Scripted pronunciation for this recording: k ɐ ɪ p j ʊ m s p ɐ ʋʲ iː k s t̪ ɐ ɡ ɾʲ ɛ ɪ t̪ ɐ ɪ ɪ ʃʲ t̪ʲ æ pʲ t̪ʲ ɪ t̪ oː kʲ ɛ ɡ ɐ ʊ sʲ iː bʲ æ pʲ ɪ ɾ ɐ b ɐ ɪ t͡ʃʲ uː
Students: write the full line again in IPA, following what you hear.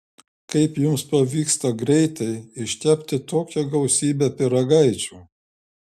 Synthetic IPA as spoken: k ɐ ɪ p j ʊ m s p ɐ ʋʲ iː k s t̪ ɐ ɡ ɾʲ ɛ ɪ t̪ ɐ ɪ ɪ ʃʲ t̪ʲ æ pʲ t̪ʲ ɪ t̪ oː kʲ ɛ ɡ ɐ ʊ sʲ iː bʲ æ pʲ ɪ ɾ ɐ ɡ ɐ ɪ t͡ʃʲ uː